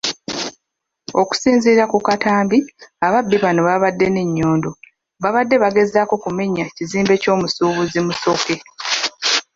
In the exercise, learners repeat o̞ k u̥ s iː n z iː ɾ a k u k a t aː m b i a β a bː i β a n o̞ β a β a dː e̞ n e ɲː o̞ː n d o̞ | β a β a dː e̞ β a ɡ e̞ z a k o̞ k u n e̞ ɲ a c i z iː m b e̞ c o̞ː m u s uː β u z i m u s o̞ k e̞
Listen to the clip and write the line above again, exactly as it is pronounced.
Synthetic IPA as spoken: o̞ k u̥ s iː n z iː ɾ a k u k a t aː m b i a β a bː i β a n o̞ β a β a dː e̞ n e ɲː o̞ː n d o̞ | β a β a dː e̞ β a ɡ e̞ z a k o̞ k u m e̞ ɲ a c i z iː m b e̞ c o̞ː m u s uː β u z i m u s o̞ k e̞